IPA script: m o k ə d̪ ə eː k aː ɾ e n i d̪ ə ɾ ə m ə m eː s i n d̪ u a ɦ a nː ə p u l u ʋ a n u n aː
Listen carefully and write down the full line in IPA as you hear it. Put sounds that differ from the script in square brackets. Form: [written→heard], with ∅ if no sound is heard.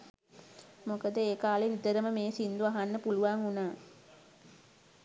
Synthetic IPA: m o k ə d̪ ə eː k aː [ɾ→l] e n i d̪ ə ɾ ə m ə m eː s i n d̪ u a ɦ a nː ə p u l u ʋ a [n→ŋ] u n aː